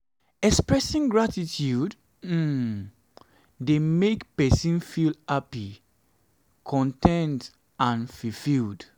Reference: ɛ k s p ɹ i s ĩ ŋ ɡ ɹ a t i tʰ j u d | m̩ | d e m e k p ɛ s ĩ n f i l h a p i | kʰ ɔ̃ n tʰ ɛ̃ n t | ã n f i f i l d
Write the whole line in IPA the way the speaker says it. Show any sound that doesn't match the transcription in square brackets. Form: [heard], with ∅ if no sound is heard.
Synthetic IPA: ɛ k s p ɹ [ɛ] s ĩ ŋ ɡ ɹ a t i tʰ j u d | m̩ | d e m e k p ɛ s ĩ n f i l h a p i | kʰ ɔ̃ n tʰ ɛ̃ n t | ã n f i f i l d